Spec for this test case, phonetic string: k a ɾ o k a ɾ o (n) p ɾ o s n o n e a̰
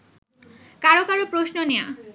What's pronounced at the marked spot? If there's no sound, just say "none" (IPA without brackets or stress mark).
none